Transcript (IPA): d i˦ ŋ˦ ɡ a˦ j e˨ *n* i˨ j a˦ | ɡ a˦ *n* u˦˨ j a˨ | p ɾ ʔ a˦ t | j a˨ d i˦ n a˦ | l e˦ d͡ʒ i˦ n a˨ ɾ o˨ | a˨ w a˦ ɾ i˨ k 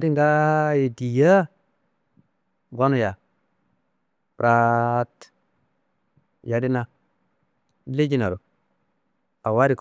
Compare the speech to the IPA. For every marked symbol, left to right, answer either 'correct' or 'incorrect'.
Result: incorrect, correct

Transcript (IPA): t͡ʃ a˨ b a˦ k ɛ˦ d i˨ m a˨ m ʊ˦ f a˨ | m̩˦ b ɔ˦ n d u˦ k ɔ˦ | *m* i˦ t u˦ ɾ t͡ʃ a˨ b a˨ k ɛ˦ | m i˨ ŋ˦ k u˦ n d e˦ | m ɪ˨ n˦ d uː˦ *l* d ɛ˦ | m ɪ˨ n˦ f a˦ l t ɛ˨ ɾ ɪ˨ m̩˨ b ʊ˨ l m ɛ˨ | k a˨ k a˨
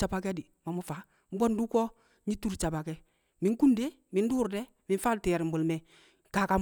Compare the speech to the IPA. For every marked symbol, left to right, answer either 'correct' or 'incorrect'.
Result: incorrect, incorrect

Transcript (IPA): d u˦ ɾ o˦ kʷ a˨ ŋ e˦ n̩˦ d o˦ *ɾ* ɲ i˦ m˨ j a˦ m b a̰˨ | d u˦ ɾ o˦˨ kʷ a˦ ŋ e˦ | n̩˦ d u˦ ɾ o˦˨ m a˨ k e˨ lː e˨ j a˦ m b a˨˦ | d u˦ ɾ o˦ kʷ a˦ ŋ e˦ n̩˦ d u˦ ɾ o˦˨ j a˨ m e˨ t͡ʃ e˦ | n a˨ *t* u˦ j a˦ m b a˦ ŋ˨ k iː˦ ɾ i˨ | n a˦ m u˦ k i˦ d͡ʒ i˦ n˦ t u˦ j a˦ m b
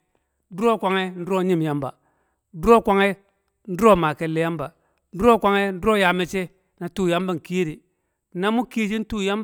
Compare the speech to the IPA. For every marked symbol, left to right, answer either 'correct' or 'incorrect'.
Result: incorrect, correct

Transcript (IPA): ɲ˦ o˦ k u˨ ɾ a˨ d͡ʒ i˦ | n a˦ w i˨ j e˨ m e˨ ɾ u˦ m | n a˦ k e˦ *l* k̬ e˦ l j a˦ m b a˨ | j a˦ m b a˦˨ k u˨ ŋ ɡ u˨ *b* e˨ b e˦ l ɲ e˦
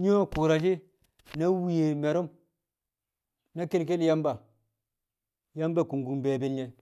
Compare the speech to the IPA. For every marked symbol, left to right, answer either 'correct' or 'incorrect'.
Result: correct, correct

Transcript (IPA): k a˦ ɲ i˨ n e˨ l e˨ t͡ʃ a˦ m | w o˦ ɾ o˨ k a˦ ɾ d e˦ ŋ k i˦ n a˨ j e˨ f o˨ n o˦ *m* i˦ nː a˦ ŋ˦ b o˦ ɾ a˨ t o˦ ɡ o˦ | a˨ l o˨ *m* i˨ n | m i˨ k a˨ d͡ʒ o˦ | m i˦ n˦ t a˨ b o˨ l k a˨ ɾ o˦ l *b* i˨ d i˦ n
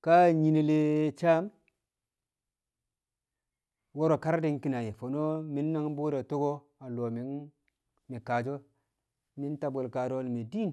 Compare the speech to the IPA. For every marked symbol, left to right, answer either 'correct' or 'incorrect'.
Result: correct, correct, incorrect

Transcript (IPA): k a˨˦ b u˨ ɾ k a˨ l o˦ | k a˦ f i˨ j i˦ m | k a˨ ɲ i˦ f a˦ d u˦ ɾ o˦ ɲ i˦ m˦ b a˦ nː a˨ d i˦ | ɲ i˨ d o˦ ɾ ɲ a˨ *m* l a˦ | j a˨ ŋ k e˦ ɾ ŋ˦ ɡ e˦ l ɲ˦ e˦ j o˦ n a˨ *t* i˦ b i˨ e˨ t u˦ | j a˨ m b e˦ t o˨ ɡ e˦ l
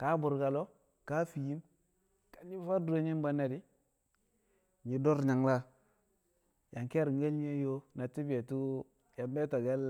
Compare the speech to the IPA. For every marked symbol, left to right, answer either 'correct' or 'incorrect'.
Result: incorrect, correct

